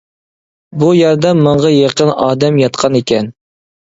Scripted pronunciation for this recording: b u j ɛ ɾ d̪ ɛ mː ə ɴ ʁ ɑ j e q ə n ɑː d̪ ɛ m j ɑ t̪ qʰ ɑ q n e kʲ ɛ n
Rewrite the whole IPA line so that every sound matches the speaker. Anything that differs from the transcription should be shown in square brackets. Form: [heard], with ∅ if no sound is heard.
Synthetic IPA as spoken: b u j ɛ ɾ d̪ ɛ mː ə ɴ ʁ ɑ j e q ə n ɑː d̪ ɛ m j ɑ t̪ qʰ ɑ [∅] n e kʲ ɛ n

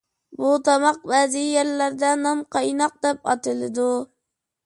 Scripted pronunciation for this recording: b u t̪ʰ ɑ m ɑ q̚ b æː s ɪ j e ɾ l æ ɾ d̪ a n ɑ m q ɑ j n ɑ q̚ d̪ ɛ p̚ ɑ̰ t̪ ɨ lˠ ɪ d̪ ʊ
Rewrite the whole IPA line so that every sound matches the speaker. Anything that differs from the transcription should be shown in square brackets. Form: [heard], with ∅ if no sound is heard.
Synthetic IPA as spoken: b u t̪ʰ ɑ m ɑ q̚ b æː [z] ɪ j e ɾ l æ ɾ d̪ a n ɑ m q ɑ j n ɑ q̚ d̪ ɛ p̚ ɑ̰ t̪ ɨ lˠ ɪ d̪ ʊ

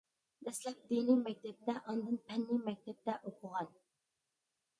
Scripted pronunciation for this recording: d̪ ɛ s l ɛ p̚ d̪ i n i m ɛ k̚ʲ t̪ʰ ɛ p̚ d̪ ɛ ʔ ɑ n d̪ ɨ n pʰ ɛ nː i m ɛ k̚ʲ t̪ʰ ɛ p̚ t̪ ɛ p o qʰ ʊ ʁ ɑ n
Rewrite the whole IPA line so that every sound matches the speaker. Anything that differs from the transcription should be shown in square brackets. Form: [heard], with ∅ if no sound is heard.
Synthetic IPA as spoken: d̪ ɛ s l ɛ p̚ d̪ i n i m ɛ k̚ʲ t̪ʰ ɛ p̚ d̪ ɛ ʔ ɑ n d̪ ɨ n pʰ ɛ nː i m ɛ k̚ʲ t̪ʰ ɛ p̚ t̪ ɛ [ʔ] o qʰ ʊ ʁ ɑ n

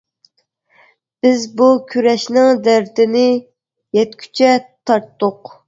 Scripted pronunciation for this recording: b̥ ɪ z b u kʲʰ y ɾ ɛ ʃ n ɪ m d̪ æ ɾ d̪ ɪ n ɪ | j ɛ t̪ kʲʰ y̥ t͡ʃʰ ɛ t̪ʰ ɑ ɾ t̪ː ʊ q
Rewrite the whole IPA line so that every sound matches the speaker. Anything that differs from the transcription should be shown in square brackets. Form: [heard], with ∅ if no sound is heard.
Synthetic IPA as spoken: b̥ ɪ z b u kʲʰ y ɾ ɛ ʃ n ɪ [ŋ] d̪ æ ɾ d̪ ɪ n ɪ | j ɛ t̪ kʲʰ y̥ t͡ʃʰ ɛ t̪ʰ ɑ ɾ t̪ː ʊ q

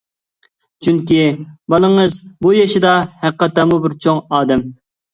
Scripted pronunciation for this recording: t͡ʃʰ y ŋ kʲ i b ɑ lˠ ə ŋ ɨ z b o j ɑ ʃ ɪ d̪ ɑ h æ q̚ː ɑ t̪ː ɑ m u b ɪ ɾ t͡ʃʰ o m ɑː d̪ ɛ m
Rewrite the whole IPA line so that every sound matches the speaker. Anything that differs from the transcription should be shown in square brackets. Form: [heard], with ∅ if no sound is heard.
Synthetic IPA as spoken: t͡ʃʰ y ŋ kʲ i b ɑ lˠ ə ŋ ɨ z b [u] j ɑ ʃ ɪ d̪ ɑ h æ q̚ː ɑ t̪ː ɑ m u b ɪ ɾ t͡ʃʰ o [ŋ] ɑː d̪ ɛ m

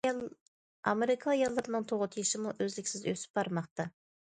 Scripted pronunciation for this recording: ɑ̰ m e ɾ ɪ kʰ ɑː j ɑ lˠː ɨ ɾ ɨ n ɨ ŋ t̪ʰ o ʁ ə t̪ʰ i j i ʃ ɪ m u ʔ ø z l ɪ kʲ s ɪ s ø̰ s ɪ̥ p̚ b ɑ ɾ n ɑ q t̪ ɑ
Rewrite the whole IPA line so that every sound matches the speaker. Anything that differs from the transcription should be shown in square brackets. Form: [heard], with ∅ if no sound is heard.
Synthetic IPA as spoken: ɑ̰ m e ɾ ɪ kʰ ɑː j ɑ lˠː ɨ ɾ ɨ n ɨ ŋ t̪ʰ o ʁ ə t̪ʰ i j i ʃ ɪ m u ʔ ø z l ɪ kʲ s ɪ [z] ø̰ s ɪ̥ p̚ b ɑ ɾ [m] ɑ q t̪ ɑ

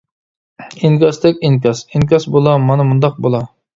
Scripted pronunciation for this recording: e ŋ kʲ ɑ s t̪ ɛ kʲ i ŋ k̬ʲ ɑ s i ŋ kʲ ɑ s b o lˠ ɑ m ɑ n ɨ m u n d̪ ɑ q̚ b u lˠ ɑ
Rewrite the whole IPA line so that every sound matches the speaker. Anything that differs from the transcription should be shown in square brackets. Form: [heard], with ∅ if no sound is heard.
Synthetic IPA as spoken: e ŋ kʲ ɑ s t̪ ɛ kʲ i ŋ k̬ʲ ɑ s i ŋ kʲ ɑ s b o lˠ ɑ m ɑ n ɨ m u n d̪ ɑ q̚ b [o] lˠ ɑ

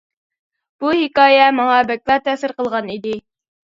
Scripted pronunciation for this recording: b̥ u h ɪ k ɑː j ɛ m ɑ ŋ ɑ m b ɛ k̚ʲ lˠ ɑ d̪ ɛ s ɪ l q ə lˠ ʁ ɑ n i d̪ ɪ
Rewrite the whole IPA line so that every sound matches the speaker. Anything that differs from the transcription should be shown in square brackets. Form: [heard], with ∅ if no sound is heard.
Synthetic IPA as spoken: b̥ u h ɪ k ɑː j ɛ m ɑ ŋ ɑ [∅] b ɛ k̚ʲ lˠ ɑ [t̪] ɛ s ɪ [ɾ] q ə lˠ ʁ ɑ n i d̪ ɪ

